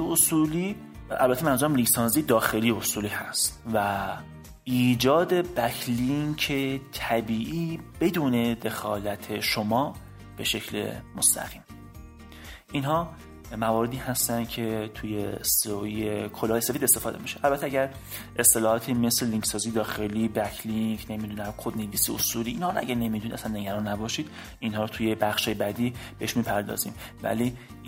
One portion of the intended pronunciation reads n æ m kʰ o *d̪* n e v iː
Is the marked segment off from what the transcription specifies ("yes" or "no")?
no